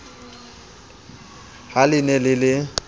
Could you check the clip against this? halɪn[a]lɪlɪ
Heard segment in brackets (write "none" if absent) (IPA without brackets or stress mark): ɛ